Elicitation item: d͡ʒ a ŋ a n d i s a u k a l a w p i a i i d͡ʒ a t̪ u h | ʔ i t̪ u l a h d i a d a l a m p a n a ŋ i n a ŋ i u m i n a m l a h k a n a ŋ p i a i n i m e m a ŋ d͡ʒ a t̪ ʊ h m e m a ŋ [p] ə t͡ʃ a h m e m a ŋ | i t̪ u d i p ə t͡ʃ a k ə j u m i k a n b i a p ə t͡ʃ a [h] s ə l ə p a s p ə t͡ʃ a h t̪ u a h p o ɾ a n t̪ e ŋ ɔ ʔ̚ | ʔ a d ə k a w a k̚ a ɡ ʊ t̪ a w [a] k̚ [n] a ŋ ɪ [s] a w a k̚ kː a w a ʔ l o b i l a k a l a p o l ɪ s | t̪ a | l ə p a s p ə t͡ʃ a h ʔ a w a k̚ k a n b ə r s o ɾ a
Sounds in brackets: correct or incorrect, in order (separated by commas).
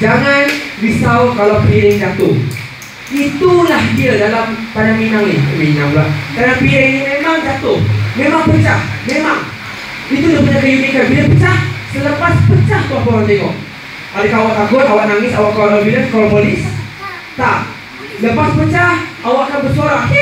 correct, correct, correct, correct, correct